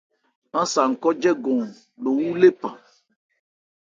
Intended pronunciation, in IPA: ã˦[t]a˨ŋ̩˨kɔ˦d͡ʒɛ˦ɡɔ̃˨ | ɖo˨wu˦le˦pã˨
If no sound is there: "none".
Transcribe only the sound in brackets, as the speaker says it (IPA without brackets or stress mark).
s